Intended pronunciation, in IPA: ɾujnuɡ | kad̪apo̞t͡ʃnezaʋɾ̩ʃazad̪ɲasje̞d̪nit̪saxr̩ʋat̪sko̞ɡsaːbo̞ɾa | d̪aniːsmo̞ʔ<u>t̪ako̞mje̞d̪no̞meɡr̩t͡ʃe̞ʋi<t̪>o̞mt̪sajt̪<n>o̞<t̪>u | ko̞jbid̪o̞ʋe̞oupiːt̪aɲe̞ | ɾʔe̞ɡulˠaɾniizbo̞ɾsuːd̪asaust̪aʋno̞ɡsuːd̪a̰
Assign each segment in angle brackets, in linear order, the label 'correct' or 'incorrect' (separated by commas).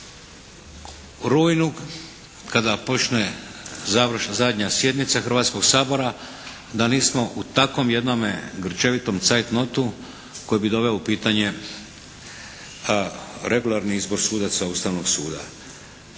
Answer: correct, correct, correct, correct